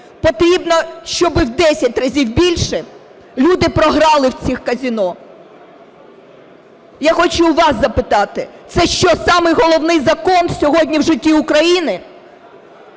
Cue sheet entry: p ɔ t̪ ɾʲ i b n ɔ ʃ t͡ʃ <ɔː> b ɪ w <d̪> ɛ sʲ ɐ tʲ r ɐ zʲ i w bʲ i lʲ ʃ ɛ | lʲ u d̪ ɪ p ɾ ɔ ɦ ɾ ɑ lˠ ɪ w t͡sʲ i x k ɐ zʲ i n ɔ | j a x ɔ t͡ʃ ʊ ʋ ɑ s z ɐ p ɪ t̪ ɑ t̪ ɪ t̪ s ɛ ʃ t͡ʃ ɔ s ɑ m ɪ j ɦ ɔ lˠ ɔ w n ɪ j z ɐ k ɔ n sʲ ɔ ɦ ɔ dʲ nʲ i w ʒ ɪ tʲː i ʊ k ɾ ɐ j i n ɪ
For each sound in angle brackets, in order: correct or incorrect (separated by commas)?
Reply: incorrect, correct